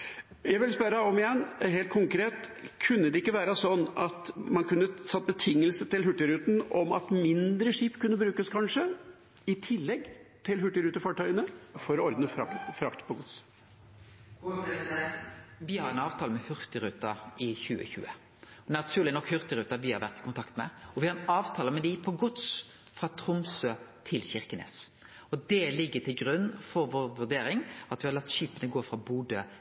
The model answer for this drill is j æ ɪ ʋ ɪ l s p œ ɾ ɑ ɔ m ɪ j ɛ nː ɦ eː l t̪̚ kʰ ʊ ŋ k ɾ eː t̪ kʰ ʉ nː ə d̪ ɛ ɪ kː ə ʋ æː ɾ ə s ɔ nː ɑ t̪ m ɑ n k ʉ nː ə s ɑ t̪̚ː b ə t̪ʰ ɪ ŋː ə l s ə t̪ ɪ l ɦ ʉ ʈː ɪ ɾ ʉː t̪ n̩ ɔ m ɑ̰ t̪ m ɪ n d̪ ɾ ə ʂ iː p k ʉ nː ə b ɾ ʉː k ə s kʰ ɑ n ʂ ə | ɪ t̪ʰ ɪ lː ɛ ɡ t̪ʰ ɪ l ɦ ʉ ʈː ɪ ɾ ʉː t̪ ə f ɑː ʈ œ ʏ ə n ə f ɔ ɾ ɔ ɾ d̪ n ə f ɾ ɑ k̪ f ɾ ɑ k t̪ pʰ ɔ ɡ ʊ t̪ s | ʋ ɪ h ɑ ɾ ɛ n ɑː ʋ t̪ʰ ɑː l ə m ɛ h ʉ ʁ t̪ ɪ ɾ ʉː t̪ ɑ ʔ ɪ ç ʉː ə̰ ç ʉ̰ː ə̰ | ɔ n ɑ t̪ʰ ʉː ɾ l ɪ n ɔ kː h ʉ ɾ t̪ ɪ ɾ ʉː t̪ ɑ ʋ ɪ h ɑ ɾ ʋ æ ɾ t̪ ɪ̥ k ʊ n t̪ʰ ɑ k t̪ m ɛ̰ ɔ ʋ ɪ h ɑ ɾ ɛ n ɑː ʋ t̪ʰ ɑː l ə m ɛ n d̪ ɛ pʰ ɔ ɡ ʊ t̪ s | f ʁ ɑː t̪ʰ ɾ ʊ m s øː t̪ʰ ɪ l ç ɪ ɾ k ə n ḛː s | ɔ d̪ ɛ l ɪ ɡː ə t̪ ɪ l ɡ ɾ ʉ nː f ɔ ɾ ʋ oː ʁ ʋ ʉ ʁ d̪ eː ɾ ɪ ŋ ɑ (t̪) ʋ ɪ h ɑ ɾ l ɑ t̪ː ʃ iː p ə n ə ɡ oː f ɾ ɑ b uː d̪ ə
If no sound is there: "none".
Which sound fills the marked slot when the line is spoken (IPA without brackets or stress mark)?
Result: t̪